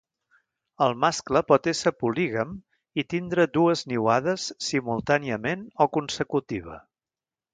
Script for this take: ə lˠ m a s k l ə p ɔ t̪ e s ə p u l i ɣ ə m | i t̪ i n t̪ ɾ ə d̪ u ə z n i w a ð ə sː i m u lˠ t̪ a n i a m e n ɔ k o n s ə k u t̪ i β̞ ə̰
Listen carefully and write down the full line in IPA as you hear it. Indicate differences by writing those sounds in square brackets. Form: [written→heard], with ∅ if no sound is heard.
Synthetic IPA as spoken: ə lˠ m a s k l ə p ɔ t̪ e s ə p u l i ɣ ə m | i t̪ i n [t̪→d̪] ɾ ə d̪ u ə z n i w a ð ə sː i m u lˠ t̪ a n i [a→ə] m e n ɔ k [o→u] n s ə k u t̪ i β̞ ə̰